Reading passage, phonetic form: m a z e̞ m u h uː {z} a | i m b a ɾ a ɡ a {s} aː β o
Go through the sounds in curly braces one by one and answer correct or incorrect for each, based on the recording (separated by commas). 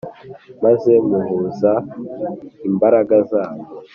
correct, incorrect